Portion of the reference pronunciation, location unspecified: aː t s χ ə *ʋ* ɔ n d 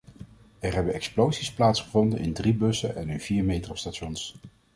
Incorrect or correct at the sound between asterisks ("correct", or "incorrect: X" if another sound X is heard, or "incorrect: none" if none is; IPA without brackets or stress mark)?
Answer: incorrect: v